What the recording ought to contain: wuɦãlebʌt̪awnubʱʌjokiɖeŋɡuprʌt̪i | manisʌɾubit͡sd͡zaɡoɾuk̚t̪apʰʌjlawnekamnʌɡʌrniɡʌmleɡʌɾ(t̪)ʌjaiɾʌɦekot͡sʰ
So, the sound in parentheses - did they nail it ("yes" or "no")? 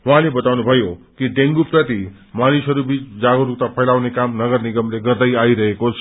no